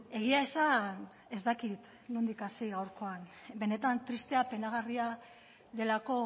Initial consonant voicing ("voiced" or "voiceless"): voiced